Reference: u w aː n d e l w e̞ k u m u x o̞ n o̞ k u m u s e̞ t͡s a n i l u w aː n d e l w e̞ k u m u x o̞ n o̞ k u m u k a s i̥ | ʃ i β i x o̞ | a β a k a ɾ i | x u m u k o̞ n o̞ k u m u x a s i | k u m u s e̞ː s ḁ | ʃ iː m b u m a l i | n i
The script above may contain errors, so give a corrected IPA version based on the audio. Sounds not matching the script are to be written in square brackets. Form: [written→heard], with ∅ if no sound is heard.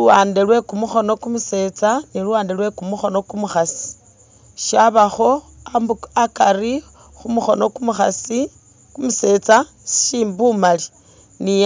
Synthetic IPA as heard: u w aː n d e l w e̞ k u m u x o̞ n o̞ k u m u s e̞ t͡s a n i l u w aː n d e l w e̞ k u m u x o̞ n o̞ k u m u [k→x] a s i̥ | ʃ [i→a] β [i→a] x o̞ | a [β→∅] a k a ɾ i | x u m u [k→x] o̞ n o̞ k u m u x a s i | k u m u s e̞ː [s→t͡s] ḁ | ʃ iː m b u m a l i | n i